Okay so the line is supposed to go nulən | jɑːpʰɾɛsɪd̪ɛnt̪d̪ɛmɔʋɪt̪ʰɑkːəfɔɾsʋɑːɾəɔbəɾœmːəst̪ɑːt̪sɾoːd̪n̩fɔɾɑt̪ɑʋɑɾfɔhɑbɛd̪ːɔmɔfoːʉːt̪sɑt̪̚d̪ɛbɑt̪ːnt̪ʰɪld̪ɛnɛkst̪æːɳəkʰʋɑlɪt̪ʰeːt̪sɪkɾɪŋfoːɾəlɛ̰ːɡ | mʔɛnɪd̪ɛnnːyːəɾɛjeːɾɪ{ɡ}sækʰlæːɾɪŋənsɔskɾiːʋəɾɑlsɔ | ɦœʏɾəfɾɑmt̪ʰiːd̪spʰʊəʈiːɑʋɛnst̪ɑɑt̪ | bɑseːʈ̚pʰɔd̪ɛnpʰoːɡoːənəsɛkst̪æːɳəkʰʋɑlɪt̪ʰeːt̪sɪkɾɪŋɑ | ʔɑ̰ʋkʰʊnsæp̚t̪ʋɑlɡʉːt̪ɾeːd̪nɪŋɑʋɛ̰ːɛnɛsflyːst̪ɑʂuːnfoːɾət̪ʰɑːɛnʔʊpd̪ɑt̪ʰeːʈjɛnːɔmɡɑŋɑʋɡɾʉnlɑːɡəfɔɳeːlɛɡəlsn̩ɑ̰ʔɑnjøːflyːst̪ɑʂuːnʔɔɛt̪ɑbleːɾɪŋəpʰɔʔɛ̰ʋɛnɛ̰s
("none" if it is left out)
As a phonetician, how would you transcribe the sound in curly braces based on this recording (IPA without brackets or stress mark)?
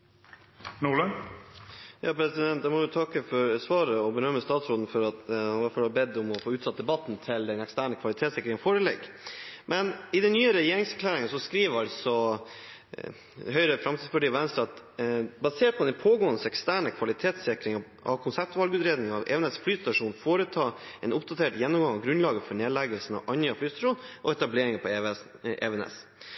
ŋ